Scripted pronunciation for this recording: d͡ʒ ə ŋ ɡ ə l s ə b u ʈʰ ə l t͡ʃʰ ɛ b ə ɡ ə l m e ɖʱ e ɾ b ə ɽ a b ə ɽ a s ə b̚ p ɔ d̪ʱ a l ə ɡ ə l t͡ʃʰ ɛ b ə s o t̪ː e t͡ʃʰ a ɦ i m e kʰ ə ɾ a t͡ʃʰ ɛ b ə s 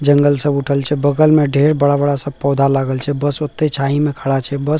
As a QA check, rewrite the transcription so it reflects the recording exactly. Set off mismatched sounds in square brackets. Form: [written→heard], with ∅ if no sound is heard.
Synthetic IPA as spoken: d͡ʒ ə ŋ ɡ ə l s ə b u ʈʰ ə l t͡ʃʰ ɛ b ə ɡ ə l m e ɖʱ e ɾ b ə ɽ a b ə ɽ a s ə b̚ p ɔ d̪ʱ a l [ə→a] ɡ ə l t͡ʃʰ ɛ b ə s o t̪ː e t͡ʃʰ a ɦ i m e kʰ ə [ɾ→ɽ] a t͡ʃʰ ɛ b ə s